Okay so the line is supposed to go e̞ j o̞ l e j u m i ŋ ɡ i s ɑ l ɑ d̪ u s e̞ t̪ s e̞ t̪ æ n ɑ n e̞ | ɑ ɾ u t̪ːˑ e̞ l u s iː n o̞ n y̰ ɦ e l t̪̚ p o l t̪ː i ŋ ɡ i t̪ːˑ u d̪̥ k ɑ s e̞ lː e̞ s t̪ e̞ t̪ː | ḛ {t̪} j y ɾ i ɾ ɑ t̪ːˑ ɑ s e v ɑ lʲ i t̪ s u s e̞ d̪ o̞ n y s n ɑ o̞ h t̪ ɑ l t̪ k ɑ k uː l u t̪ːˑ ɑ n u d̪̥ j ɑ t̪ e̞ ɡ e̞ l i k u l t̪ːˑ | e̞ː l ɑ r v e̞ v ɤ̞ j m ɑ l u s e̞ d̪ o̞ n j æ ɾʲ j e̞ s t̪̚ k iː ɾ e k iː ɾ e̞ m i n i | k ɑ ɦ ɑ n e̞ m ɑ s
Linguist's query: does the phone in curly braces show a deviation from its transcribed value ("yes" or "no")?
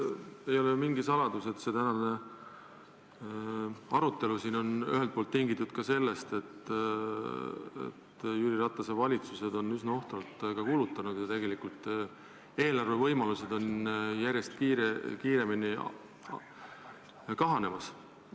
no